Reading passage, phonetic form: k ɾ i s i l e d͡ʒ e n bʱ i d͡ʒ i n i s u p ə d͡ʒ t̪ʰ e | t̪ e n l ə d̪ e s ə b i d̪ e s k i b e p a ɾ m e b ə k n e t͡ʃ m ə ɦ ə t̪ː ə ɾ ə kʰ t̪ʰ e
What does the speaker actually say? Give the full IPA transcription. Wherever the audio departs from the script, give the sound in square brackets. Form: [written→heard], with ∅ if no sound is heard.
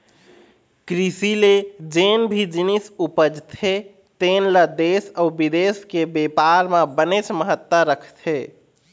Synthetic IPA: k ɾ i s i l e d͡ʒ e n bʱ i d͡ʒ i n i s u p ə d͡ʒ t̪ʰ e | t̪ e n l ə d̪ e s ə b i d̪ e s k [i→e] b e p a ɾ m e b ə [k→∅] n e t͡ʃ m ə ɦ ə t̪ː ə ɾ ə kʰ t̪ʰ e